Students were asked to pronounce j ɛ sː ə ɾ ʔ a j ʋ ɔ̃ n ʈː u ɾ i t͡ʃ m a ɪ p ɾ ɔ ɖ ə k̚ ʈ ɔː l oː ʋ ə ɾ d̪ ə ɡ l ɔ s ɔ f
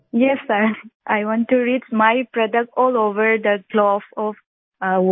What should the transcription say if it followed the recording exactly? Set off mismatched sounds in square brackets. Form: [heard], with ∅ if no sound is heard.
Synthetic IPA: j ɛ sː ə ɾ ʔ a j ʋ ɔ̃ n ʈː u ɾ i t͡ʃ m a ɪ p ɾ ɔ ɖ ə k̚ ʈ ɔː l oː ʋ ə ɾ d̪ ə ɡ l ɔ [f] ɔ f

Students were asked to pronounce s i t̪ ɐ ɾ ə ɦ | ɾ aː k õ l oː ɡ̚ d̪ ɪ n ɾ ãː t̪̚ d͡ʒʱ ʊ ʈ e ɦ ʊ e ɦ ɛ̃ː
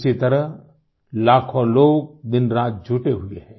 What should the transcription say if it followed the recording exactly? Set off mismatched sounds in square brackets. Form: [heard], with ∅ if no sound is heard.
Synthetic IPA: s i t̪ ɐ ɾ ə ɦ | [l] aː [kʰ] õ l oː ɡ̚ d̪ ɪ n ɾ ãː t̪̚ d͡ʒʱ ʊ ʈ e ɦ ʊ e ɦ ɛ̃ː

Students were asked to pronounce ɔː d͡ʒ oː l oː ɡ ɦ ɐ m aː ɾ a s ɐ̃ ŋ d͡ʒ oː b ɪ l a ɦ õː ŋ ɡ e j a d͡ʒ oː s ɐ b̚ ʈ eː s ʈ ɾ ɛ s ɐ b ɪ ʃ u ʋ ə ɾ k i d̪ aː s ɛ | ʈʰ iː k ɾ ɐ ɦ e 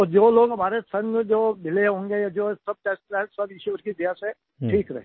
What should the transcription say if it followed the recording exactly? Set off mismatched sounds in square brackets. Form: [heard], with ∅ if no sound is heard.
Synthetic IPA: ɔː d͡ʒ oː l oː ɡ ɦ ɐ m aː ɾ [e] s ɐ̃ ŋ d͡ʒ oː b ɪ l [e] ɦ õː ŋ ɡ e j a d͡ʒ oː s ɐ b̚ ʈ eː s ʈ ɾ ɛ s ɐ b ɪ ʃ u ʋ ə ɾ k i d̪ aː s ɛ | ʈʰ iː k ɾ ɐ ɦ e

